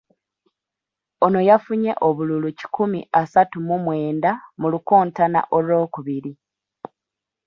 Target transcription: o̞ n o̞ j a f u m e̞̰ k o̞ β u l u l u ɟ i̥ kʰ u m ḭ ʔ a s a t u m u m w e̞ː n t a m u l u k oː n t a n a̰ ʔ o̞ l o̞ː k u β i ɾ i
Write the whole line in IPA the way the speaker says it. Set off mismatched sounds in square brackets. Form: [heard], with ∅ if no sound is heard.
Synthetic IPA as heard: o̞ n o̞ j a f u [ɲ] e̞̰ [ʔ] o̞ β u l u l u [c] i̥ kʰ u m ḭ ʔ a s a t u m u m w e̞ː n [d] a m u l u k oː n t a n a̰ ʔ o̞ l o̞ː k u β i ɾ i